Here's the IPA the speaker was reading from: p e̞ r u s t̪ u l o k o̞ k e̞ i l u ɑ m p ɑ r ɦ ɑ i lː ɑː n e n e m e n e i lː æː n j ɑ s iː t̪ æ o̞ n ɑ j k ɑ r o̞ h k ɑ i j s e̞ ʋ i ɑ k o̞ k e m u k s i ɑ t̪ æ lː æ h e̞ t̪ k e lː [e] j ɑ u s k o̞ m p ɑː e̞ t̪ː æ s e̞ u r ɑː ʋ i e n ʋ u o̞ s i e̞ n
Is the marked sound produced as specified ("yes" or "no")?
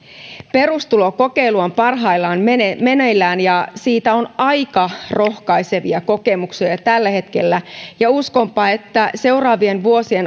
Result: no